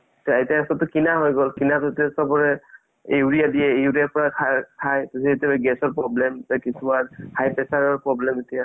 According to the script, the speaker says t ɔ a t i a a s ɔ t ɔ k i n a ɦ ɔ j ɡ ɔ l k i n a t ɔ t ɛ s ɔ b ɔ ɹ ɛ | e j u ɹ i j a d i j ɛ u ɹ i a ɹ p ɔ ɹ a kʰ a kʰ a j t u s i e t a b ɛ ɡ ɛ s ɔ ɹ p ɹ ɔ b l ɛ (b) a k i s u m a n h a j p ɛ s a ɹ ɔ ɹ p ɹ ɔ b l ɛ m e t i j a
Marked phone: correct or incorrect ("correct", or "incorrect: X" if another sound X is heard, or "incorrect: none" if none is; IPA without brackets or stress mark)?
incorrect: m